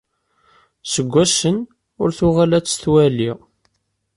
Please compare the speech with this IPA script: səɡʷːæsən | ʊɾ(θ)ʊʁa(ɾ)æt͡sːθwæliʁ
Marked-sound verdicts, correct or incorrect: correct, incorrect

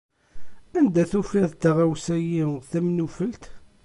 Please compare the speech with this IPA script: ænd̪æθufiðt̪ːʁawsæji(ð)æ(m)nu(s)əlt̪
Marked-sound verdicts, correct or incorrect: incorrect, correct, incorrect

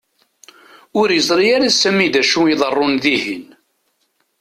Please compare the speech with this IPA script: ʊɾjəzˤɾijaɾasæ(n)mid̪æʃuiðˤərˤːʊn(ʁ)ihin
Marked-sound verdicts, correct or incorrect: incorrect, incorrect

